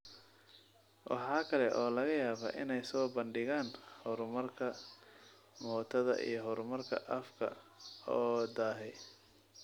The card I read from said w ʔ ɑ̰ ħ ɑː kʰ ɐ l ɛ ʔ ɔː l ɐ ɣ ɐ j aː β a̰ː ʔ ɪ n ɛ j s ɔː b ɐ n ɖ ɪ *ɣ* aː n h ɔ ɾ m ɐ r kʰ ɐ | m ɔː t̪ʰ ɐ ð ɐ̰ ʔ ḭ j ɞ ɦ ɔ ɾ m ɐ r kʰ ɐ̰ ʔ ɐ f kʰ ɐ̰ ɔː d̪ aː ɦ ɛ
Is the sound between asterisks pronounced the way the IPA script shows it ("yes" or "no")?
yes